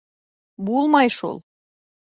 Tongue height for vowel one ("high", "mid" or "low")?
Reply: high